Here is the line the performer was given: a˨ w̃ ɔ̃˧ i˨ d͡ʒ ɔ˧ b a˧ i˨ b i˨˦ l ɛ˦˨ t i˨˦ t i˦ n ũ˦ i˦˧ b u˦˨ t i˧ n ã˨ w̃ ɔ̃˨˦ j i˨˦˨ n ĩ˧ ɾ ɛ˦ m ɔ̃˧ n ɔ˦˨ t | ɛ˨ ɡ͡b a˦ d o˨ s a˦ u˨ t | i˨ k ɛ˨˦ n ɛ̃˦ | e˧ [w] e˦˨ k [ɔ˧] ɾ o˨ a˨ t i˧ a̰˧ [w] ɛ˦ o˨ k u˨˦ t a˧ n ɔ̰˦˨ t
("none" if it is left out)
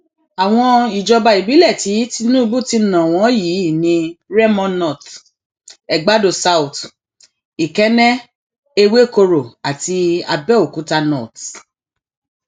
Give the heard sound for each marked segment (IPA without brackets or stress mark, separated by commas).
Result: w, o˧, b